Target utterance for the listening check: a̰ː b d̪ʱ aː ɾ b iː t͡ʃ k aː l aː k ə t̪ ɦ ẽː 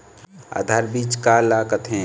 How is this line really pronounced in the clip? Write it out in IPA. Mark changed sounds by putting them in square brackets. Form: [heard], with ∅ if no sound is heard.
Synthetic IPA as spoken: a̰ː [∅] d̪ʱ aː ɾ b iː t͡ʃ k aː l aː k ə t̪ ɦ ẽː